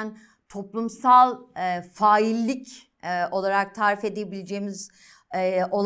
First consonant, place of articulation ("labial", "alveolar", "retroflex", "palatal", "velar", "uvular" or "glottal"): alveolar